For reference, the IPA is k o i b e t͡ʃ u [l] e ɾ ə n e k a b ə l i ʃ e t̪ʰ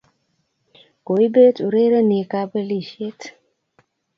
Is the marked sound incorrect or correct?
incorrect: ɾ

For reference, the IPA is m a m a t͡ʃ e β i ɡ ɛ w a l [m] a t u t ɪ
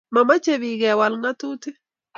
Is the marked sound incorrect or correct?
incorrect: ŋ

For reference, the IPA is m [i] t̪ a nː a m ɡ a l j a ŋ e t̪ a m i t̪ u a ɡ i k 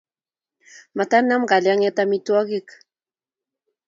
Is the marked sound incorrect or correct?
incorrect: a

